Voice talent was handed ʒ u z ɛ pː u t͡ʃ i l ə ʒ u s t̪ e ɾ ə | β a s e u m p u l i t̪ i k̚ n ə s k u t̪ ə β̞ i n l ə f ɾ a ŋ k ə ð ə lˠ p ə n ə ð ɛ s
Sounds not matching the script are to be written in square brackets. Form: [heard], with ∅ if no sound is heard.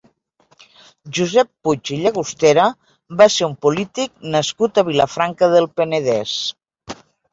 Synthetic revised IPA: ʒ u z ɛ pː u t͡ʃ i [ʎ] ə [ɣ] u s t̪ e ɾ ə | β a s e u m p u l i t̪ i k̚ n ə s k u t̪ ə β̞ i [∅] l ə f ɾ a ŋ k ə ð ə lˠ p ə n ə ð ɛ s